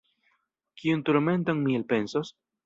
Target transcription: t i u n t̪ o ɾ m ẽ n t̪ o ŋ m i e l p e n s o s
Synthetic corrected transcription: k i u n t̪ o ɾ m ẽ n t̪ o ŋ m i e l p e n s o s

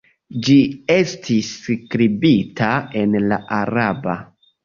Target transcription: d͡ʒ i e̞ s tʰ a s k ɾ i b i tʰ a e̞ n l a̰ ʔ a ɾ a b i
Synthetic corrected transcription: d͡ʒ i e̞ s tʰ i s k ɾ i b i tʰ a e̞ n l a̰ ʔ a ɾ a b a

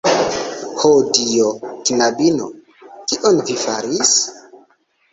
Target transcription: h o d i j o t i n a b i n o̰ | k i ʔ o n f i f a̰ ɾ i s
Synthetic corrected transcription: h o d i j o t i n a b i n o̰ | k i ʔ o n v i f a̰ ɾ i s

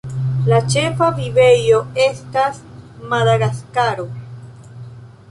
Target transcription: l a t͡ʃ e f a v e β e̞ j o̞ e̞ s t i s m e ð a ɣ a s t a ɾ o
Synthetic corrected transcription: l a t͡ʃ e f a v i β e̞ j o̞ e̞ s t a s m a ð a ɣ a s k a ɾ o

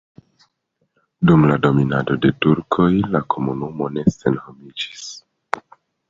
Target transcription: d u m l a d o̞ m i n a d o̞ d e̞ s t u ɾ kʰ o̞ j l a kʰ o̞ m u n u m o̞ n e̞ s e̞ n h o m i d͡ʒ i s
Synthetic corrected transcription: d u m l a d o̞ m i n a d o̞ d e̞ t u ɾ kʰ o̞ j l a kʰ o̞ m u n u m o̞ n e̞ s e̞ n h o m i d͡ʒ i s

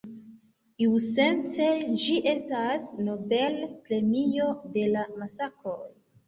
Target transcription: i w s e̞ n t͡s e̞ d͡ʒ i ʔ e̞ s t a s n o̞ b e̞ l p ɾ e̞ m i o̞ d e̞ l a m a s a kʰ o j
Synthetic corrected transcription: i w s e̞ n t͡s e̞ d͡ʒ i ʔ e̞ s t a s n o̞ b e̞ l p ɾ e̞ m i o̞ d e̞ l a m a s a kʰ o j

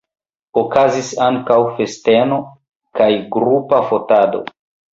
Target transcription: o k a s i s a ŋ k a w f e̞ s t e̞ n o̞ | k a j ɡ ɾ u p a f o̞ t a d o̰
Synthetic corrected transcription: o k a z i s a ŋ k a w f e̞ s t e̞ n o̞ | k a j ɡ ɾ u p a f o̞ t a d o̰

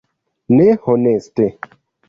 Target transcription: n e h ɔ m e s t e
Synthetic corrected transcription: n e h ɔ n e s t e

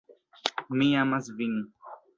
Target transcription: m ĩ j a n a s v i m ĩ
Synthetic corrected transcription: m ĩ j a m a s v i n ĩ

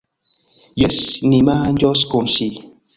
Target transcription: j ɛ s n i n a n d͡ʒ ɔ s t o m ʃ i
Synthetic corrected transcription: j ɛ s n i m a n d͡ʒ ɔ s k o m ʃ i

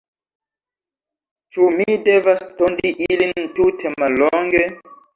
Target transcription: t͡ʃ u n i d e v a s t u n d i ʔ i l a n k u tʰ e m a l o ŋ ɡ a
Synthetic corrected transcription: t͡ʃ u m i d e v a s t o n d i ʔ i l i n t u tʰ e m a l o ŋ ɡ e

